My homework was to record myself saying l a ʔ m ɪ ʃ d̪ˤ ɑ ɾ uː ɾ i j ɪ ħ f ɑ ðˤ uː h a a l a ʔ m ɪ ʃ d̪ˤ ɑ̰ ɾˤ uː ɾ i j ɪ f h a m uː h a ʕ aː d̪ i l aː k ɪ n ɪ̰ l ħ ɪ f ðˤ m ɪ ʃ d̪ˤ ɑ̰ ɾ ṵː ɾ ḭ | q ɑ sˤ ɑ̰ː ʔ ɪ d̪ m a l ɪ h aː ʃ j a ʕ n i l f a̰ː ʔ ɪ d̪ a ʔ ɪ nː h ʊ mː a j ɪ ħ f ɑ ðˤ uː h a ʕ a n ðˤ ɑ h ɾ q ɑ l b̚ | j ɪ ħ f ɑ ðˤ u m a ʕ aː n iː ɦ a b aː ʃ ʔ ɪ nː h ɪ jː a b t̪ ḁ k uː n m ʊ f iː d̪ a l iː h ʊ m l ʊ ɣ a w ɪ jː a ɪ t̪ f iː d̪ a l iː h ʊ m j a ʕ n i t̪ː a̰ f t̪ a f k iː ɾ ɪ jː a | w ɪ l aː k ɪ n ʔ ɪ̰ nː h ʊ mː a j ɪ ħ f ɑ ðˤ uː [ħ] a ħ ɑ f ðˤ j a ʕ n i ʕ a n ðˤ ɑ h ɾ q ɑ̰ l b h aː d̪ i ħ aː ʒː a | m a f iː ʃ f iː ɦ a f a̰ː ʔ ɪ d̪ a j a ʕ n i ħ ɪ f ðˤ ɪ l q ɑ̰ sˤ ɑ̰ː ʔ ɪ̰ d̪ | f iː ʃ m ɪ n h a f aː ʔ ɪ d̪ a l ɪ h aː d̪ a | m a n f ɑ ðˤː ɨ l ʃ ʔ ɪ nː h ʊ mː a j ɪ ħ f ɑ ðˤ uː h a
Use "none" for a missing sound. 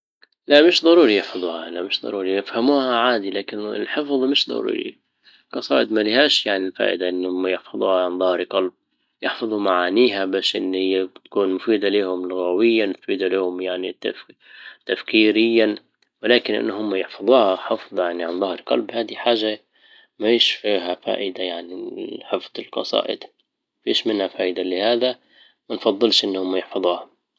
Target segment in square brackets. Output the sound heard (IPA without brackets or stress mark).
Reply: h